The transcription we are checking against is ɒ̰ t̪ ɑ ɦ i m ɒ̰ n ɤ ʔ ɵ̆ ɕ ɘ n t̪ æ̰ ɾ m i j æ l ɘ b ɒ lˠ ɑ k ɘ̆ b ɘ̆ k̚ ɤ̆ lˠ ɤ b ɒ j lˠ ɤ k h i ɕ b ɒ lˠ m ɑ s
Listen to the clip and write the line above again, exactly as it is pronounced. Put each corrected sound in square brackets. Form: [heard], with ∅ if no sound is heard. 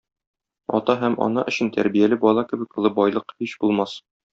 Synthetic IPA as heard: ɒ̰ t̪ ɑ ɦ [æ] m ɒ̰ n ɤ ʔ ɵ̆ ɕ ɘ n t̪ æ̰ ɾ [b] i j æ l ɘ b ɒ lˠ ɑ k ɘ̆ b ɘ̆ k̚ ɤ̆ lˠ ɤ b ɒ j lˠ ɤ [q] h i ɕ b [u] lˠ m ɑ s